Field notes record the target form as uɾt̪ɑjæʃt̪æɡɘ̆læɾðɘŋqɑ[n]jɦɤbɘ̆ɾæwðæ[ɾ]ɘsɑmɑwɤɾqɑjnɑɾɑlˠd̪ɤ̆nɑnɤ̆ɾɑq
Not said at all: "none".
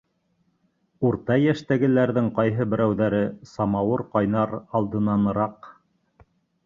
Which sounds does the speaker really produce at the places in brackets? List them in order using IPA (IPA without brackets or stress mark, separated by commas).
none, ɾ